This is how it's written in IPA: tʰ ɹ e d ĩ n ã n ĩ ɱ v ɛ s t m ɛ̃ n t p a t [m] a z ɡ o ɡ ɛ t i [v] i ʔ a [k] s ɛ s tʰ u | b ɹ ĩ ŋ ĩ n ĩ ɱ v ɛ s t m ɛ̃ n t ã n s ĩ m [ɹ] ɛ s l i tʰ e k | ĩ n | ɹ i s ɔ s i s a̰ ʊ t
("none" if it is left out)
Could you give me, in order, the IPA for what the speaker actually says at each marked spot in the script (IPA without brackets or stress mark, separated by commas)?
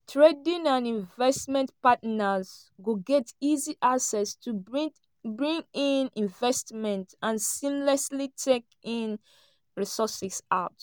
n, z, k, l